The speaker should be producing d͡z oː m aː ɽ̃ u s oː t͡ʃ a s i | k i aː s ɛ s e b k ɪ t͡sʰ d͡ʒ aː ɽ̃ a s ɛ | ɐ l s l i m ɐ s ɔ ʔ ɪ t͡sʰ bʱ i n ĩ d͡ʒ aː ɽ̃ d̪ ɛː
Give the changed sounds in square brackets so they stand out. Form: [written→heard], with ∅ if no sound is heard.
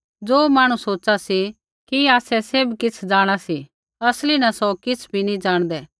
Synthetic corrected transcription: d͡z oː m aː ɽ̃ u s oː t͡ʃ a s i | k i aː s ɛ s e b k ɪ t͡sʰ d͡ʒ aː ɽ̃ a s [ɛ→i] | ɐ [l→∅] s l i [m→n] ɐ s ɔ [ʔ→k] ɪ t͡sʰ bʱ i n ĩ d͡ʒ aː ɽ̃ d̪ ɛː